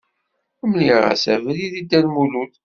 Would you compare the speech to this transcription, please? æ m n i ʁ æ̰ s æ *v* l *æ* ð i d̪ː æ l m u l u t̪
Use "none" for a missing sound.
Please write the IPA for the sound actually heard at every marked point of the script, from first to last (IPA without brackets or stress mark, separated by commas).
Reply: v, i